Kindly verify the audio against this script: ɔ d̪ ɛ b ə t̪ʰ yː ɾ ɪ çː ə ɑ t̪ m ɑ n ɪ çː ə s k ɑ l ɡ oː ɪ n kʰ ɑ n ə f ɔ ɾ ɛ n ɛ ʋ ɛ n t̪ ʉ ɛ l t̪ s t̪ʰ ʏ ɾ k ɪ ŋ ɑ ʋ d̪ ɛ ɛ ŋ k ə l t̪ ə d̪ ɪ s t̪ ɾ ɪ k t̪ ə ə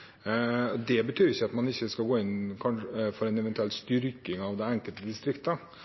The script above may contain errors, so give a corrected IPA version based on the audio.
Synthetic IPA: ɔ d̪ ɛ b ə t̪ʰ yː ɾ ɪ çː ə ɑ t̪ m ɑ n ɪ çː ə s k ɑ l ɡ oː ɪ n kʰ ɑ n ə f ɔ ɾ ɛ n ɛ ʋ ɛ n t̪ ʉ ɛ l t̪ s t̪ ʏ ɾ k ɪ ŋ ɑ ʋ d̪ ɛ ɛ ŋ k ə l t̪ ə d̪ ɪ s t̪ ɾ ɪ k t̪ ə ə